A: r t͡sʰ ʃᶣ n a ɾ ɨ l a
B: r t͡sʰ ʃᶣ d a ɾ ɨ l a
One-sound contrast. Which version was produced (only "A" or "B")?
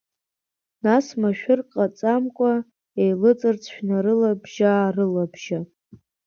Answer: A